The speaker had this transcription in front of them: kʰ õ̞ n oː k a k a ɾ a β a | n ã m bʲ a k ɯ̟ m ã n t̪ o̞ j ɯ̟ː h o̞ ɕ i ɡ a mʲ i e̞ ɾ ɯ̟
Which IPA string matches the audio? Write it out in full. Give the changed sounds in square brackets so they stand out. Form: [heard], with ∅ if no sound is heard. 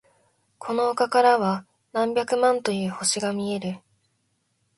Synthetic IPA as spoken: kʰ [o̞] n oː k a k a ɾ a β a | n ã m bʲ a k ɯ̟ m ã n t̪ o̞ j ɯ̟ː h o̞ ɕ i ɡ a mʲ i e̞ ɾ ɯ̟